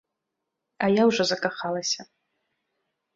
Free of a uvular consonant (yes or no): no